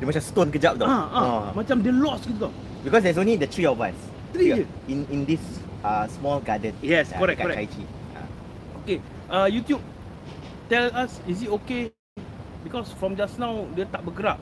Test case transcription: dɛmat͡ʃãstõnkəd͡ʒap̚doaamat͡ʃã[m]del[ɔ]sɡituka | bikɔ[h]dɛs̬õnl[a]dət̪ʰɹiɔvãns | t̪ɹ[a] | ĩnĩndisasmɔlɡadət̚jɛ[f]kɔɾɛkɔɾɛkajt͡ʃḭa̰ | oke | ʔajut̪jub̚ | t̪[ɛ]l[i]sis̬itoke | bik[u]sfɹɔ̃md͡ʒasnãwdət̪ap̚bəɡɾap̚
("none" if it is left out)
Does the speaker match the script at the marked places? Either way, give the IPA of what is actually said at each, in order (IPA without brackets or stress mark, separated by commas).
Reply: m, ɔ, s, i, i, s, ɛ, a, ɔ